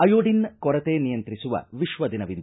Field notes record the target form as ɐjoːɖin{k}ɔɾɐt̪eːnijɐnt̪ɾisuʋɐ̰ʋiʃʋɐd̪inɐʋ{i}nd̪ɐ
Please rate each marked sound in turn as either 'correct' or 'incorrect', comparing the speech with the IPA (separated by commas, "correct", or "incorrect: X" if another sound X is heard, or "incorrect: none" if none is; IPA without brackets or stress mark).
correct, correct